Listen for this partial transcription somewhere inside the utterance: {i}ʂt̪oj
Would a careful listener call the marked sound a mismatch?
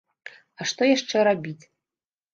yes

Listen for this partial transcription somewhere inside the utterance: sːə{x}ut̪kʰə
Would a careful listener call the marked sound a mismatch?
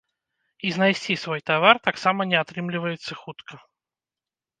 no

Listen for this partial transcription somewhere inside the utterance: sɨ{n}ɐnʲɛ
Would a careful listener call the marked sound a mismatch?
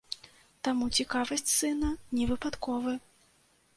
no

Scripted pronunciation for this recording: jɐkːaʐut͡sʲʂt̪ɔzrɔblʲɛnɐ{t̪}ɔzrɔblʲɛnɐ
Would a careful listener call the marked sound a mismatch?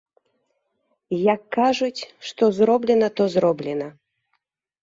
no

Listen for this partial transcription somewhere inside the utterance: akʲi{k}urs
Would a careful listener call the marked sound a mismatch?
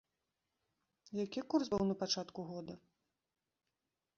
no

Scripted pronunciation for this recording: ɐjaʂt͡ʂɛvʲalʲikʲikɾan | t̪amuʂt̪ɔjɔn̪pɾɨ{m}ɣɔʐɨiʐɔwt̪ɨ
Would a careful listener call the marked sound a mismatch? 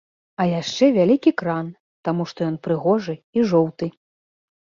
yes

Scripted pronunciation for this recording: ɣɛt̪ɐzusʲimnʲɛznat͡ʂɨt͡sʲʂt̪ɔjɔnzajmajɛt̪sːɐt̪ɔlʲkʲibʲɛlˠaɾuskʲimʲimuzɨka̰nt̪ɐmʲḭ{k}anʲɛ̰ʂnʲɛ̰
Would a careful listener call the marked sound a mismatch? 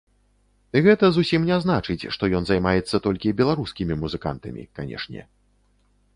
no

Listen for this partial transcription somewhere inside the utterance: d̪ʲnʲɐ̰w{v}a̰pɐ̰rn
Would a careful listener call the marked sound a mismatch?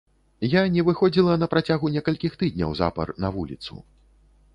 yes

